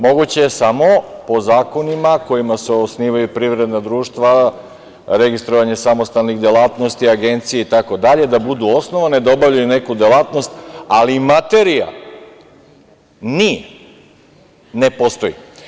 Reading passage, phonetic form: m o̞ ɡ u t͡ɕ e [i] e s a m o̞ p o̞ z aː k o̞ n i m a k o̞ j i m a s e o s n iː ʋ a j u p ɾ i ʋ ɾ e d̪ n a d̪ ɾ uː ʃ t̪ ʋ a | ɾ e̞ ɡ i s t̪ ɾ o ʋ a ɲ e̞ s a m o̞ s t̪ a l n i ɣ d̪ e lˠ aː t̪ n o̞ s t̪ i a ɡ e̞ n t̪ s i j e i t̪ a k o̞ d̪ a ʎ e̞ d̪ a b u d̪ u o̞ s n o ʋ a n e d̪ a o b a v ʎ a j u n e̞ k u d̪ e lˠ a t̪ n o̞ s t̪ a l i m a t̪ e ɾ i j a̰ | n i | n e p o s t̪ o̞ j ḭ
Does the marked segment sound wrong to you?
yes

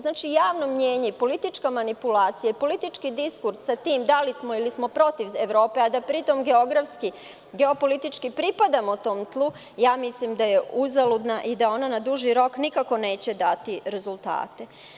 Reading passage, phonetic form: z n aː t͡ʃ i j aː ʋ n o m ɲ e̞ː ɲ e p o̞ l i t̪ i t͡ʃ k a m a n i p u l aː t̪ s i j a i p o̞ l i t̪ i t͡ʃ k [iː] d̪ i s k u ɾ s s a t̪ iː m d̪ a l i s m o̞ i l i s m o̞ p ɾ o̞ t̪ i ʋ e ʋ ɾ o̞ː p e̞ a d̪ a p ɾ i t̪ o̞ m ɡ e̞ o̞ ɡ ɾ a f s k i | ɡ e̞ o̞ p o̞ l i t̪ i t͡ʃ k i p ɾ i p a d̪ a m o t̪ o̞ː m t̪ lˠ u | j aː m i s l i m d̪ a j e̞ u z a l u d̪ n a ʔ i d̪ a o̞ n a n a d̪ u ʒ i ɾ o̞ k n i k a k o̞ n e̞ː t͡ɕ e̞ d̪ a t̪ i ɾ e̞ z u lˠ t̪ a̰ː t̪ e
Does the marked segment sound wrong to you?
yes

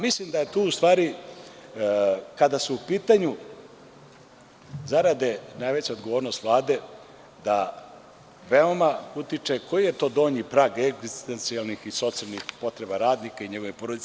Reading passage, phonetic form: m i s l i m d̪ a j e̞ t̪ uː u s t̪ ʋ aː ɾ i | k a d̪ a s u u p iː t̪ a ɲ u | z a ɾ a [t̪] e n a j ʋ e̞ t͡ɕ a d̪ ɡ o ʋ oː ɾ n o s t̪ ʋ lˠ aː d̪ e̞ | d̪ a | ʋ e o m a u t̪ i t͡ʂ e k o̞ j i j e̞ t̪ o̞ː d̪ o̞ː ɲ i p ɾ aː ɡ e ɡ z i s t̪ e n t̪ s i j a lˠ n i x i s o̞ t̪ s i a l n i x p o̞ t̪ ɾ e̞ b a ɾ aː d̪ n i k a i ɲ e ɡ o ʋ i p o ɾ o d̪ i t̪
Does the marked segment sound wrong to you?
yes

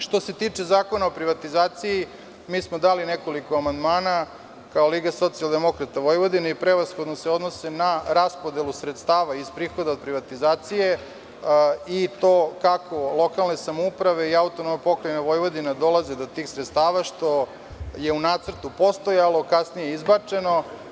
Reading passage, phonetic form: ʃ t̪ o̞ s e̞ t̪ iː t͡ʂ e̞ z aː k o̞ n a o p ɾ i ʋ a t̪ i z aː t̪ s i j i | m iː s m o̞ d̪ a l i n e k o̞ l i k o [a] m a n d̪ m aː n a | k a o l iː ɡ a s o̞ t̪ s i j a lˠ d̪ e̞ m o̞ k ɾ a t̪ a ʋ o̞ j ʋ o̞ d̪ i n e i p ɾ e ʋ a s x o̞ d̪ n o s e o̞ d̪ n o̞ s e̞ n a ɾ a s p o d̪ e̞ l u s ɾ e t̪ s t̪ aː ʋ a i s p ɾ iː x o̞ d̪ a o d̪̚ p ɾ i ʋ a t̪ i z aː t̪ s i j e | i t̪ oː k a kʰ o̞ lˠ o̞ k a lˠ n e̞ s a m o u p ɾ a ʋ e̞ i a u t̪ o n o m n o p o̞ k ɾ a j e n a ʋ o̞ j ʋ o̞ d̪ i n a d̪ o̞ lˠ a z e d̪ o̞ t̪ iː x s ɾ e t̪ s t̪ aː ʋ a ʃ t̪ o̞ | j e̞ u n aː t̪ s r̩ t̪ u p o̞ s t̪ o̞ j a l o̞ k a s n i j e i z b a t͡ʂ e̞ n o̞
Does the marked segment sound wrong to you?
no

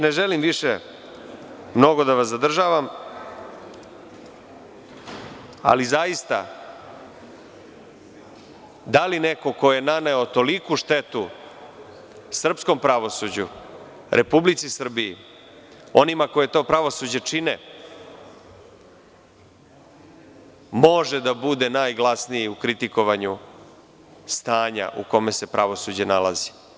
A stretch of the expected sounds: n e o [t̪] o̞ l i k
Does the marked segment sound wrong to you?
no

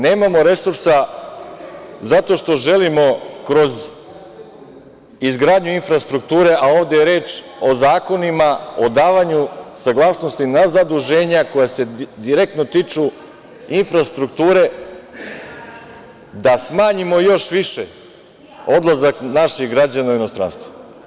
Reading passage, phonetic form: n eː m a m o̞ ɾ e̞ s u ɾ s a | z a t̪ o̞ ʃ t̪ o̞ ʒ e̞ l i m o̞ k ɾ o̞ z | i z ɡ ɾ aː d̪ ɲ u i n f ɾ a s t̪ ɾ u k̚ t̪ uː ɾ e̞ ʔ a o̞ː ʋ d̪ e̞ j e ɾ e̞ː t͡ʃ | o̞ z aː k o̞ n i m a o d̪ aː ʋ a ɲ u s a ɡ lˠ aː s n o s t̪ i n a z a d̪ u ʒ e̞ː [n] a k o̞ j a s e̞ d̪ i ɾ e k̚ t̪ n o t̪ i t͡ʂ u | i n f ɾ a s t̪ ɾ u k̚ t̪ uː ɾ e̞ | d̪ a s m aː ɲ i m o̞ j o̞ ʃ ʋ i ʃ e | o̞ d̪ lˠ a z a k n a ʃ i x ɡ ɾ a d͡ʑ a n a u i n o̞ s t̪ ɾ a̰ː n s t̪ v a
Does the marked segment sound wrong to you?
yes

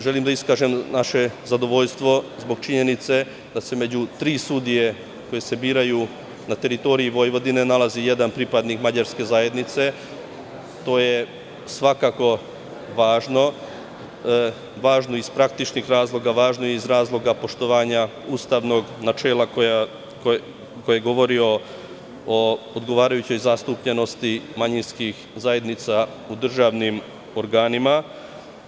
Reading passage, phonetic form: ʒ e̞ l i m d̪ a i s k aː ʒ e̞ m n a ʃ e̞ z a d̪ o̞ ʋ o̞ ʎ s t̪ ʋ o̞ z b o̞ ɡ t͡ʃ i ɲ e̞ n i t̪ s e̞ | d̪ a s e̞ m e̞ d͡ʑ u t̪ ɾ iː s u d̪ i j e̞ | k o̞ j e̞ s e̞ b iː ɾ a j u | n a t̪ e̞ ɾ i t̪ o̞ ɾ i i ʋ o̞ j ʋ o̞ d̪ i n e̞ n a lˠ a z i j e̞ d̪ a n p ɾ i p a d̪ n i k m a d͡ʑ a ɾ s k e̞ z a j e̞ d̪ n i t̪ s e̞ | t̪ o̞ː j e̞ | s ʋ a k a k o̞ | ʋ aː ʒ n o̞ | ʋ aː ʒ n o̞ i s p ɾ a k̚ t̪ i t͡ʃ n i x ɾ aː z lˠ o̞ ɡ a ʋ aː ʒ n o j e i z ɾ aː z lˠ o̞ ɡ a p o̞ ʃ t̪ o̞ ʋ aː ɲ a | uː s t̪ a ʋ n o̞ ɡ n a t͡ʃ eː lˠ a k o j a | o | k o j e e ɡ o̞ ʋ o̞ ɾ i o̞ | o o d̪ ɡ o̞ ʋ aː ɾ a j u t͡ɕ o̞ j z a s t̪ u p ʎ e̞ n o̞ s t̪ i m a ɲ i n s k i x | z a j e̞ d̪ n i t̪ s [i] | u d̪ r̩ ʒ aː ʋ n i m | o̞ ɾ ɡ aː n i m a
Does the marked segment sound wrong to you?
yes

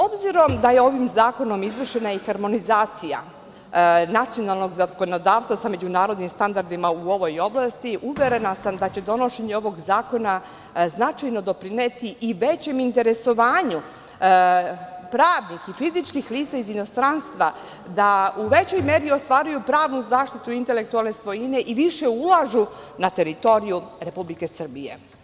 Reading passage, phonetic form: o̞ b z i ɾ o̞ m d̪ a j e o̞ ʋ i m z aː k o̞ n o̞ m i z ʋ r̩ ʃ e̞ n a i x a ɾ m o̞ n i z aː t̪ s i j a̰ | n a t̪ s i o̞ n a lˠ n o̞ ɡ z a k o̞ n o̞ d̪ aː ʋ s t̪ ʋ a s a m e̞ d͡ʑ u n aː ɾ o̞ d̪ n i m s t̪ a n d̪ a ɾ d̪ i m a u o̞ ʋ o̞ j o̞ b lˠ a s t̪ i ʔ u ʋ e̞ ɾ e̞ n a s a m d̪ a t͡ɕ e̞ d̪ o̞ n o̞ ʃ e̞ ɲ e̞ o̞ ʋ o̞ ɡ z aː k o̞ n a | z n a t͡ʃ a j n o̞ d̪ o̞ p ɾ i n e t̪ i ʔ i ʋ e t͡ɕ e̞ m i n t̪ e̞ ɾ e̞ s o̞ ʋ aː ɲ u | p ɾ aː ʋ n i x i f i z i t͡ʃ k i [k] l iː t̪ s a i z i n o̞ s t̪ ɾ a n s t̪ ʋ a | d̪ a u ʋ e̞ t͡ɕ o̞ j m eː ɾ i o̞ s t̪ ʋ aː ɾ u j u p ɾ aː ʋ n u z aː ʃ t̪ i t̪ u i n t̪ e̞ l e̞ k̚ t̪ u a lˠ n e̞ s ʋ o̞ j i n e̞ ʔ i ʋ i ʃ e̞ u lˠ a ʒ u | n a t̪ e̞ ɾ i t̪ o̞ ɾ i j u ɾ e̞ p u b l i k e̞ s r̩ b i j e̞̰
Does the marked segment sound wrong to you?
yes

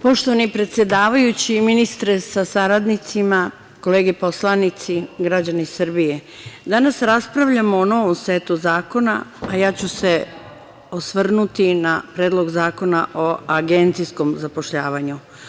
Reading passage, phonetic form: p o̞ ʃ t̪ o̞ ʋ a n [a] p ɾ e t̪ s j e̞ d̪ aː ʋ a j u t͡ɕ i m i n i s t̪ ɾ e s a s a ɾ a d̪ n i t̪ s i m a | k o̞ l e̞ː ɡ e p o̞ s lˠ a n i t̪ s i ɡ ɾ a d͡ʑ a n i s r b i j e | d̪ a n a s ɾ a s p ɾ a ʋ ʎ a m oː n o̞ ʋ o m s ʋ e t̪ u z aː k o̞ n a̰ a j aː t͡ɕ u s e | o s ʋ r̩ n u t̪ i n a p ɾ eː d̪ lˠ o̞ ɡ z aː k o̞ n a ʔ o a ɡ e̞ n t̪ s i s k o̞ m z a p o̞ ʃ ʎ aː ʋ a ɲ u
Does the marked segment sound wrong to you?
yes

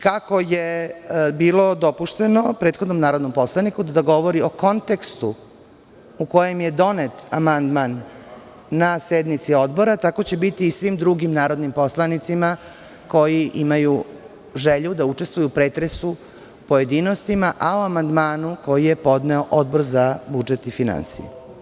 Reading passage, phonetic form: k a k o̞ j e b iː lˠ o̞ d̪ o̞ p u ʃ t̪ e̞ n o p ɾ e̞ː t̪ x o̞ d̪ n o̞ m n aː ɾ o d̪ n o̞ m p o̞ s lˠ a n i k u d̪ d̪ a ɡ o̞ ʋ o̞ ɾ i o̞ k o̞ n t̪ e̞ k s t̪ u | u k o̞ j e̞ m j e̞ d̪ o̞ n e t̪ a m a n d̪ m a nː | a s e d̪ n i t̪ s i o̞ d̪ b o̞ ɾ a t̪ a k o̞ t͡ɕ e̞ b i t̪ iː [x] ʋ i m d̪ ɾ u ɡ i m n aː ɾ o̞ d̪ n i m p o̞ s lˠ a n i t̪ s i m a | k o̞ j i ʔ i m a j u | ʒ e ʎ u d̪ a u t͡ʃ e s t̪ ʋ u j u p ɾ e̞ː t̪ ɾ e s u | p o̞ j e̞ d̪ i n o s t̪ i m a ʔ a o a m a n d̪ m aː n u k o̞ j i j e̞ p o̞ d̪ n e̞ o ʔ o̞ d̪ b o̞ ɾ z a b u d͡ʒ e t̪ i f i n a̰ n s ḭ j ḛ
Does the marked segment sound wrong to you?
yes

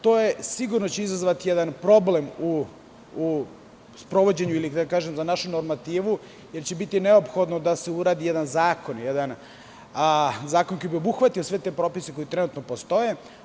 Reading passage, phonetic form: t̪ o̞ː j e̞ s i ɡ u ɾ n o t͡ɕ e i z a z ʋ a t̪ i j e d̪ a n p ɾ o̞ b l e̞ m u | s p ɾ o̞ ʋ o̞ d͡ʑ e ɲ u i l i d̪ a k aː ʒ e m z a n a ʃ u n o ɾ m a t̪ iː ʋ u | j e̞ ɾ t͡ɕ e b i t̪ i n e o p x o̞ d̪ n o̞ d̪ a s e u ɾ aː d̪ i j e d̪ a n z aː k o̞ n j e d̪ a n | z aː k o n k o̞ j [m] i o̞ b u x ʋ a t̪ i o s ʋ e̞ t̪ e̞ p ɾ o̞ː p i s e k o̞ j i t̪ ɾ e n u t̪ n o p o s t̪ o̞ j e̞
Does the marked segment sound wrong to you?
yes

